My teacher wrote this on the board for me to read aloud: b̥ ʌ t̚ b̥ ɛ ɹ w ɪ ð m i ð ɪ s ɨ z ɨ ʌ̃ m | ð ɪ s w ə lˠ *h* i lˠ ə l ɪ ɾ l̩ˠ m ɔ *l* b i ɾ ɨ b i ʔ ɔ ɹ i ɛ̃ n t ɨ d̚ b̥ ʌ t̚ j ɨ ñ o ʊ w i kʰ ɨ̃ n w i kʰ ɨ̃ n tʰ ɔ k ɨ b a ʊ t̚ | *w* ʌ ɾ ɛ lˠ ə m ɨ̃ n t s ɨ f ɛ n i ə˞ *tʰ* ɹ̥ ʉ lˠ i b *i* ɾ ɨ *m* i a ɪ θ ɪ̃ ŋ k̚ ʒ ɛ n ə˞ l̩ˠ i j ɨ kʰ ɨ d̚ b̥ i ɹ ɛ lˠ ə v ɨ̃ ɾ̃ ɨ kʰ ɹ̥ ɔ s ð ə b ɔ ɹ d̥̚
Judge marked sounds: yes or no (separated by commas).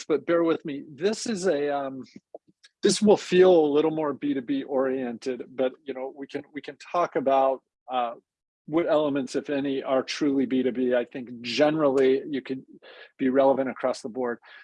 no, no, yes, yes, yes, no